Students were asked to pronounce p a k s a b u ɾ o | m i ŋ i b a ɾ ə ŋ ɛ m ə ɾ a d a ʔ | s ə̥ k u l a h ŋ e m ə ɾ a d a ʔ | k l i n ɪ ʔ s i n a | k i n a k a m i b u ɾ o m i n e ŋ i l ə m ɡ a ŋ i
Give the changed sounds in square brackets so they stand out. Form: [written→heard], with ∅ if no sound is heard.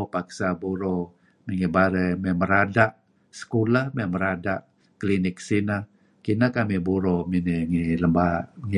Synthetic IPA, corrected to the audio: p a k s a b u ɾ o | m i ŋ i b a ɾ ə [ŋ→m] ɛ m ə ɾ a d a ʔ | s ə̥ k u l a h [ŋ→m] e m ə ɾ a d a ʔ | k l i n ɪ [ʔ→k] s i n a | k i n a k a m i b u ɾ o m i n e ŋ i l ə m [ɡ→b] a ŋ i

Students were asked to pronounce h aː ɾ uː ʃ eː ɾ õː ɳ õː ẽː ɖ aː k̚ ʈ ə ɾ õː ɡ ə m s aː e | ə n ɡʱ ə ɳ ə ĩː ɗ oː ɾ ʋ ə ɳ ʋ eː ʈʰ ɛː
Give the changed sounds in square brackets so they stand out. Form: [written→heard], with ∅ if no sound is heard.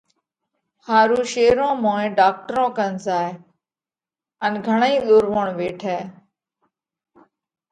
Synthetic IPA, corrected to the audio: h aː ɾ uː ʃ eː ɾ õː [ɳ→m] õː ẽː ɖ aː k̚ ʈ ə ɾ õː [ɡ→k] ə [m→n] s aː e | ə n ɡʱ ə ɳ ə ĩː ɗ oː ɾ ʋ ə ɳ ʋ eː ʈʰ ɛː

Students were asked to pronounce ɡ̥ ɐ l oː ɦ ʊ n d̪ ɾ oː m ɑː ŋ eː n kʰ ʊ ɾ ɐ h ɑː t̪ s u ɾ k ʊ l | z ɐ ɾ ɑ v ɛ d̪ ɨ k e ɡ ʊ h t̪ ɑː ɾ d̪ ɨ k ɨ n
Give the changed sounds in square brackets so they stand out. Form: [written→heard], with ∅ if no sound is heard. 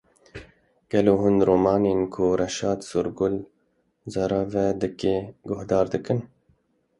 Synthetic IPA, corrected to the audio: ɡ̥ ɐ l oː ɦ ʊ n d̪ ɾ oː m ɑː [ŋ→n] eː n kʰ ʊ ɾ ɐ [h→ʃ] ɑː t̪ s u ɾ [k→ɡ] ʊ l | z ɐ ɾ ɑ v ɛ d̪ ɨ k e ɡ ʊ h [t̪→d̪] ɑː ɾ d̪ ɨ k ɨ n

